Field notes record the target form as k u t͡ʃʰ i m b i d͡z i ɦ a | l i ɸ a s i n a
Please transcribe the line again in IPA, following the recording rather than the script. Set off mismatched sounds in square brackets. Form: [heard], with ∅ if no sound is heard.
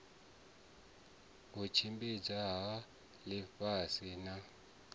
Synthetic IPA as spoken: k u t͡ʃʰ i m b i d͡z [a] ɦ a | l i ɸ a s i n a